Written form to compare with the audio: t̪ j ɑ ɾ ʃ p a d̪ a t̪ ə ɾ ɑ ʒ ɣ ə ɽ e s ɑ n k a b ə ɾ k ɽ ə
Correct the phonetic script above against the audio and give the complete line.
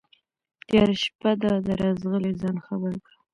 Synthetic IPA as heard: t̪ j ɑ ɾ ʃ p a d̪ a d̪ ə ɾ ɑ z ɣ ə l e z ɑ n x a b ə ɾ k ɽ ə